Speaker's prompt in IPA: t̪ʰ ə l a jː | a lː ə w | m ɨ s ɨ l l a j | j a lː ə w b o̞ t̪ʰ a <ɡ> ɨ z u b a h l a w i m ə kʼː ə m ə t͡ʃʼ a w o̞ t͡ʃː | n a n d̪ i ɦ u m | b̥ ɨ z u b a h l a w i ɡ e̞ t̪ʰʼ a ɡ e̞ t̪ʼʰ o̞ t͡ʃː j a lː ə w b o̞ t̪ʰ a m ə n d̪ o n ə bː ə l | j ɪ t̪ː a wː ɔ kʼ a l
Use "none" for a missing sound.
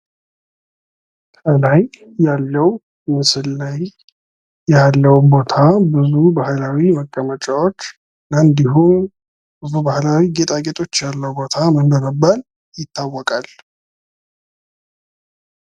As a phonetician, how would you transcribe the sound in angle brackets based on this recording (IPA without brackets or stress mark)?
b